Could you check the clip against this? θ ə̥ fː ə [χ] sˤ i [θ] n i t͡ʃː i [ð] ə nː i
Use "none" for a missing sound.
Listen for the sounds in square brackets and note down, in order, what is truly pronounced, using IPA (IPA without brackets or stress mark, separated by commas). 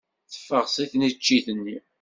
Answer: ʁ, θ, θ